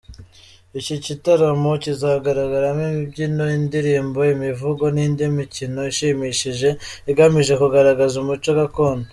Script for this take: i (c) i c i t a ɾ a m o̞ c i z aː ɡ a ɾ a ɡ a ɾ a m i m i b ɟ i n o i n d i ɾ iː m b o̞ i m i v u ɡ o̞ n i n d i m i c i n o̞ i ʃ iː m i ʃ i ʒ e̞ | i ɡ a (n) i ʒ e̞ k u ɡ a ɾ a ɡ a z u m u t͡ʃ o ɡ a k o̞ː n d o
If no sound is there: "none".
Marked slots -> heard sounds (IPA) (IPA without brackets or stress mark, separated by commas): c, m